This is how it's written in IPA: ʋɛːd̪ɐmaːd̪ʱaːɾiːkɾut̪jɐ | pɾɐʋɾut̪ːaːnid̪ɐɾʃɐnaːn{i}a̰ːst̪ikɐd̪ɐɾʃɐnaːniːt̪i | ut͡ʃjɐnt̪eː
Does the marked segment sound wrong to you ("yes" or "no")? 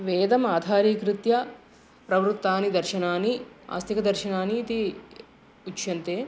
no